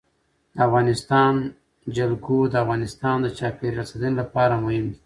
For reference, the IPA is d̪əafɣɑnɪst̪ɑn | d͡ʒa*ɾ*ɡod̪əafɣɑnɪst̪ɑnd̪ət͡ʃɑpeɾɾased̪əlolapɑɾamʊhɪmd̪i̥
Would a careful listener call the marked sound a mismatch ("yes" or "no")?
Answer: yes